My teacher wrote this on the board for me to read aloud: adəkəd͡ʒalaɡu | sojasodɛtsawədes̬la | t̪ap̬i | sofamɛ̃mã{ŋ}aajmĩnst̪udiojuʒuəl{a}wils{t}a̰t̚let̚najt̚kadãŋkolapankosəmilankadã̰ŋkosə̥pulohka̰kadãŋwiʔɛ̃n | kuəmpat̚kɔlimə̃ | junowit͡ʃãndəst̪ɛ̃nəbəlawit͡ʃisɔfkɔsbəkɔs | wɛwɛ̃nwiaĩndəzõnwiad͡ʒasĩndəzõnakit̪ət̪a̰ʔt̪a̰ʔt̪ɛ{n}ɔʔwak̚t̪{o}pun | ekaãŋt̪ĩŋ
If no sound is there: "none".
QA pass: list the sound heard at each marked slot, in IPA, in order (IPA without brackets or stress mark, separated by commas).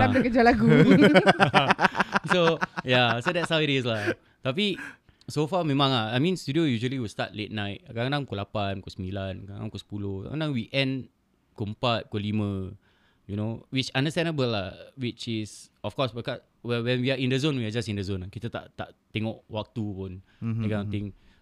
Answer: ŋ, i, t, ŋ, u